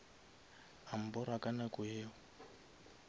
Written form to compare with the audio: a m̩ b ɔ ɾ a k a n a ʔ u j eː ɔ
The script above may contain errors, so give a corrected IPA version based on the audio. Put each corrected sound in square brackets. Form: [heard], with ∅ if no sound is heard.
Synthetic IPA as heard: a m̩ b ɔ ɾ a k a n a [k] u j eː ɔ